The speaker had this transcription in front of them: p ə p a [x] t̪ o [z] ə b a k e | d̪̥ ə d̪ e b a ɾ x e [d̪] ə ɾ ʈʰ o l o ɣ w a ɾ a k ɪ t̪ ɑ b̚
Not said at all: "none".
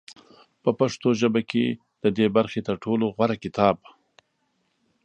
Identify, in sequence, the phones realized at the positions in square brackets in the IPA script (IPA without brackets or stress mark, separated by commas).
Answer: ʂ, ʒ, t̪